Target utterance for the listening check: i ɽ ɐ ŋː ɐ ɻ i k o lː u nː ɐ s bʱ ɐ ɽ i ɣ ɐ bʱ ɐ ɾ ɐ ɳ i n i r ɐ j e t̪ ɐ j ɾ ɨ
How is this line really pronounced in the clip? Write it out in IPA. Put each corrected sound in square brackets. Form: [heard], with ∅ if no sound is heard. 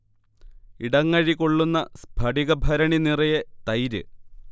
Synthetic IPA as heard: i ɽ ɐ ŋː ɐ ɻ i k o [ɭː] u nː ɐ s bʱ ɐ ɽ i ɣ ɐ bʱ ɐ ɾ ɐ ɳ i n i r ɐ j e t̪ ɐ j ɾ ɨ

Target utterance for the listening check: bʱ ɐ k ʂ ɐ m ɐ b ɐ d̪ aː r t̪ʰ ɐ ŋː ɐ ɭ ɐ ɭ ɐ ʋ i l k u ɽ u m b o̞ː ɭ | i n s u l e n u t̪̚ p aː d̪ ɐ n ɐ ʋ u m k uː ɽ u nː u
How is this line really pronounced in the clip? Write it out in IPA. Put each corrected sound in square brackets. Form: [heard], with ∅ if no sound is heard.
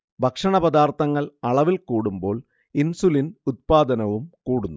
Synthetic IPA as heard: bʱ ɐ k ʂ ɐ [ɳ] ɐ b ɐ d̪ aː r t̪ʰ ɐ ŋː ɐ ɭ ɐ ɭ ɐ ʋ i l k [uː] ɽ u m b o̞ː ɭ | i n s u l [i] n u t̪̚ p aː d̪ ɐ n ɐ ʋ u m k uː ɽ u nː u

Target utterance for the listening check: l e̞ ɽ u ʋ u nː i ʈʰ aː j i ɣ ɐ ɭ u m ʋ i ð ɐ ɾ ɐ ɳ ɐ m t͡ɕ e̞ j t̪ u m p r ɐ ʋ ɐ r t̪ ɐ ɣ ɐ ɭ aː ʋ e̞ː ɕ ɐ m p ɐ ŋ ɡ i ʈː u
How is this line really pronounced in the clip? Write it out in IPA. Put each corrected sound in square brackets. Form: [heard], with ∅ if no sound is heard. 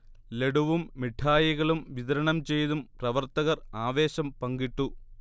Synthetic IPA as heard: l e̞ ɽ u ʋ u [mː] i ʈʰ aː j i ɣ ɐ ɭ u m ʋ i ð ɐ ɾ ɐ ɳ ɐ m t͡ɕ e̞ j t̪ u m p r ɐ ʋ ɐ r t̪ ɐ ɣ ɐ [r] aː ʋ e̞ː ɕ ɐ m p ɐ ŋ ɡ i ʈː u

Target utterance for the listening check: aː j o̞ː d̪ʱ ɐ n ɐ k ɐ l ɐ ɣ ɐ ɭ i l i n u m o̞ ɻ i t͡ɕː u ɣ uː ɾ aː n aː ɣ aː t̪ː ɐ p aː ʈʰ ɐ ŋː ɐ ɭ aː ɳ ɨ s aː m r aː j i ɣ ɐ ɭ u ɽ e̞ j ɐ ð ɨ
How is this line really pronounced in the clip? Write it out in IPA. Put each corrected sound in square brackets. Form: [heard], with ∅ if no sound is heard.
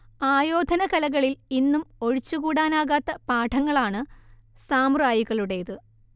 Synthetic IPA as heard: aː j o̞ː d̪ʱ ɐ n ɐ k ɐ l ɐ ɣ ɐ ɭ i l i [nː] u m o̞ ɻ i t͡ɕː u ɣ uː [ɽ] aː n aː ɣ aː t̪ː ɐ p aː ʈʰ ɐ ŋː ɐ ɭ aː ɳ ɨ s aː m r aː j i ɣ ɐ ɭ u ɽ e̞ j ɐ ð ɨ

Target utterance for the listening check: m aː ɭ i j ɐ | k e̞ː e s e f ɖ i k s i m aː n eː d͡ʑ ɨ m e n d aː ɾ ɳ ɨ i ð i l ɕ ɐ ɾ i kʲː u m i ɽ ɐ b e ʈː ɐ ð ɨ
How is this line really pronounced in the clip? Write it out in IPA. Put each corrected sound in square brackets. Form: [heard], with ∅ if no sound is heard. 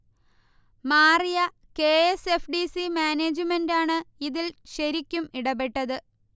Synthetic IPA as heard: m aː [r] i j ɐ | k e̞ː e s e f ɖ i [∅] s i m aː n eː d͡ʑ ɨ m e n d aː [∅] ɳ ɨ i ð i l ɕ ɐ ɾ i kʲː u m i ɽ ɐ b e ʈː ɐ ð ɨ

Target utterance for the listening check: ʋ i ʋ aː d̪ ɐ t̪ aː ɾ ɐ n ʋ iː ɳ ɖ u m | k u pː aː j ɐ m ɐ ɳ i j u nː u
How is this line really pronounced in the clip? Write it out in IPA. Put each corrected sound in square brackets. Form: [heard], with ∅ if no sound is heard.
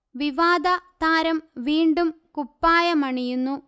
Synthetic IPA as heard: ʋ i ʋ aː d̪ ɐ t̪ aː ɾ ɐ [m] ʋ iː ɳ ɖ u m | k u pː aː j ɐ m ɐ ɳ i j u nː u

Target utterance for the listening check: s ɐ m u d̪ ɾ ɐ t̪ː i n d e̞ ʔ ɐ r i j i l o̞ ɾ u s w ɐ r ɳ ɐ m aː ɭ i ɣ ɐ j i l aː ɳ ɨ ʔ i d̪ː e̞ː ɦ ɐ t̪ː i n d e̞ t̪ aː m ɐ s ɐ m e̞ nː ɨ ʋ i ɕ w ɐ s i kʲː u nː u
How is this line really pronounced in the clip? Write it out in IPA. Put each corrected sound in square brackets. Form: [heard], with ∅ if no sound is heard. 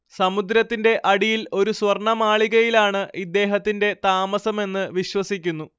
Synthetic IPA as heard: s ɐ m u d̪ ɾ ɐ t̪ː i n d e̞ ʔ ɐ [ɽ] i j i l o̞ ɾ u s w ɐ r ɳ ɐ m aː ɭ i ɣ ɐ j i l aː ɳ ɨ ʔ i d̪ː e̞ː ɦ ɐ t̪ː i n d e̞ t̪ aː m ɐ s ɐ m e̞ nː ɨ ʋ i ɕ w ɐ s i kʲː u nː u

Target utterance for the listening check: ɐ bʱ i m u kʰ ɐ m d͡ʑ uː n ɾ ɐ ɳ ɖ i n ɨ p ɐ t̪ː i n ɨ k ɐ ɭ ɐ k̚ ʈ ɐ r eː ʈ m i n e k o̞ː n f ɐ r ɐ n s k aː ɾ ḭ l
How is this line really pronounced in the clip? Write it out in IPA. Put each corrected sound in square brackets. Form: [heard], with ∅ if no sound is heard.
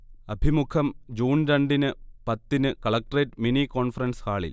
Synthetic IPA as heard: ɐ bʱ i m u kʰ ɐ m d͡ʑ uː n ɾ ɐ ɳ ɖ i n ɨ p ɐ t̪ː i n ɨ k ɐ ɭ ɐ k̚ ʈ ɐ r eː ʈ m i n [i] k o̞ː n f ɐ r ɐ n s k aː [ɭ] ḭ l

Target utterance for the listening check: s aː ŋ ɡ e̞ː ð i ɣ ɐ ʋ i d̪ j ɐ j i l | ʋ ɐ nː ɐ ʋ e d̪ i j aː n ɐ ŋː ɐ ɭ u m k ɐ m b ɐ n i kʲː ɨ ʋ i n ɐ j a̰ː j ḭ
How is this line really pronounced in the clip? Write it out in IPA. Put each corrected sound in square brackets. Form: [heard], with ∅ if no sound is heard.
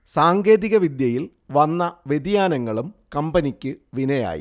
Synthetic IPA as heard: s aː ŋ ɡ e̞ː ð i ɣ ɐ ʋ i d̪ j ɐ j i l | ʋ ɐ nː ɐ ʋ e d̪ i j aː n ɐ ŋː ɐ ɭ u m k ɐ m b ɐ n i kʲː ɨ ʋ i n ɐ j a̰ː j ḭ

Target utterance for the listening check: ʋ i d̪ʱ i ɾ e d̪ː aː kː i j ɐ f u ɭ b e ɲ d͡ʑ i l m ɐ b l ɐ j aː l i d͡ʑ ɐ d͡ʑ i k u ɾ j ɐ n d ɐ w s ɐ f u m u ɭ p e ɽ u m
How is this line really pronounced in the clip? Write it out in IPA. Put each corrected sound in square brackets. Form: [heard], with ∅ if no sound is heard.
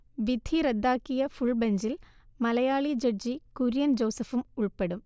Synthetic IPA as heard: ʋ i d̪ʱ i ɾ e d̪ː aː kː i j ɐ f u ɭ b e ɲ d͡ʑ i l m ɐ [∅] l ɐ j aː [ɭ] i d͡ʑ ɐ d͡ʑ i k u ɾ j ɐ n [d͡ʑ] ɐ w s ɐ f u m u ɭ p e ɽ u m

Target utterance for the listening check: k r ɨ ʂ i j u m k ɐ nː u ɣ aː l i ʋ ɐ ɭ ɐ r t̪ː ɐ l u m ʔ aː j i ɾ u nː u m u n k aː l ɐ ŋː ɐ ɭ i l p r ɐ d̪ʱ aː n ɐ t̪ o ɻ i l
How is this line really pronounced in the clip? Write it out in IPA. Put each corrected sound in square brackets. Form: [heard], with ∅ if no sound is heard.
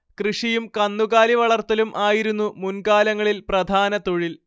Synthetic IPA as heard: k r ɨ ʂ i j u m k ɐ nː u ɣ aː l i ʋ ɐ ɭ ɐ r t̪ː ɐ l u m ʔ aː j i ɾ u nː u m u n k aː l ɐ ŋː ɐ ɭ i l p r ɐ d̪ʱ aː n ɐ t̪ o ɻ i l

